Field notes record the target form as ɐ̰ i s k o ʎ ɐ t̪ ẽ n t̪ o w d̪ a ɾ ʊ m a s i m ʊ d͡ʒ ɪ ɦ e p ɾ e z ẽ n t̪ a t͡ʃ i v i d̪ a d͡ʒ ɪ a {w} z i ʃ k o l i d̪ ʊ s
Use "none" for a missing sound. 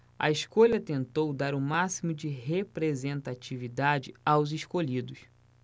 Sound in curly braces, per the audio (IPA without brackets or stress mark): w